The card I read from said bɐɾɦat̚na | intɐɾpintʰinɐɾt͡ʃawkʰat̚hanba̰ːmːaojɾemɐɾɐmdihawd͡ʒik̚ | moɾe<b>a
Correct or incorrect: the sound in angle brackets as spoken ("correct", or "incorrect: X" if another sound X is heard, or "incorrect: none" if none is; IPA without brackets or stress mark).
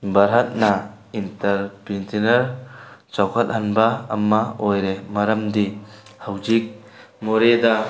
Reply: incorrect: d